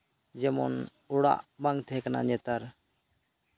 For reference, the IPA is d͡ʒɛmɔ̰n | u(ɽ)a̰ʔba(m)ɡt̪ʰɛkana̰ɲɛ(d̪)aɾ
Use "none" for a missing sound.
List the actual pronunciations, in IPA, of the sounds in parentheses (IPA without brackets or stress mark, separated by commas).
ɽ, ŋ, t̪